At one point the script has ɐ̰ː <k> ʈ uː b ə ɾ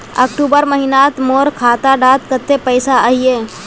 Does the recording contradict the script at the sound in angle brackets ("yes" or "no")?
no